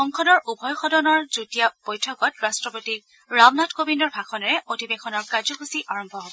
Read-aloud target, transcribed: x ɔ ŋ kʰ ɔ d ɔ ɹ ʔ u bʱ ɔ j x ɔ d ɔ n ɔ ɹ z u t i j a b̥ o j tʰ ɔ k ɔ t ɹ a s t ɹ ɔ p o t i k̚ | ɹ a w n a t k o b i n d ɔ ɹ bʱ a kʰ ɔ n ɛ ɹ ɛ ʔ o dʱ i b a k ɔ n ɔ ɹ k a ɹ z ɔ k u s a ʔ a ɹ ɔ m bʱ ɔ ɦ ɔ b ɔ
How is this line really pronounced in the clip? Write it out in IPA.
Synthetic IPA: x ɔ ŋ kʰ ɔ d ɔ ɹ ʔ u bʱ ɔ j x ɔ d ɔ n ɔ ɹ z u t i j a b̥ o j tʰ ɔ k ɔ t ɹ a s t ɹ ɔ p o t i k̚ | ɹ a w n a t k o b i n d ɔ ɹ bʱ a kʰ ɔ n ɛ ɹ ɛ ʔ o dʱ i b e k ɔ n ɔ ɹ k a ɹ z ɔ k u s i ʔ a ɹ ɔ m bʱ ɔ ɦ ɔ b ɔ